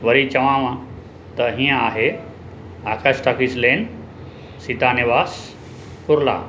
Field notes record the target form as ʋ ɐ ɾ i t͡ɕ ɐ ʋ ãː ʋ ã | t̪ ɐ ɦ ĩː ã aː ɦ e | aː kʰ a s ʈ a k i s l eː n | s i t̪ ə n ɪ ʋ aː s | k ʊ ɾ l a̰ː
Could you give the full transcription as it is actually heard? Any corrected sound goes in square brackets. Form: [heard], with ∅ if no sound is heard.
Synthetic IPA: ʋ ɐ ɾ i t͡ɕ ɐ ʋ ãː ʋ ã | t̪ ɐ ɦ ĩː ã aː ɦ e | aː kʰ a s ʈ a k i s l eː n | s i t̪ [a] n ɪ ʋ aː s | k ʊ ɾ l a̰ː